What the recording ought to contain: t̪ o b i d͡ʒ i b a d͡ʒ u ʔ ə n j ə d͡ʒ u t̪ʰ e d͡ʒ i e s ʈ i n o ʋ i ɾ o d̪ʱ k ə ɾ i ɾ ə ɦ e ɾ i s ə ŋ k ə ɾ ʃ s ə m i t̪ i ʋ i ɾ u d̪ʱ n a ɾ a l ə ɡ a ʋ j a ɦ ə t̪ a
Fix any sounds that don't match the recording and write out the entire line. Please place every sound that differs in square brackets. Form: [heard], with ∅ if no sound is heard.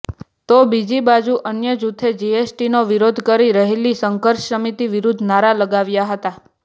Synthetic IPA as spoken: t̪ o b i d͡ʒ i b a d͡ʒ u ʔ ə n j ə d͡ʒ u t̪ʰ e d͡ʒ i e s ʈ i n o ʋ i ɾ o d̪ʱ k ə ɾ i ɾ ə ɦ e [l] i s ə ŋ k ə ɾ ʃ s ə m i t̪ i ʋ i ɾ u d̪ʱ n a ɾ a l ə ɡ a ʋ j a ɦ ə t̪ a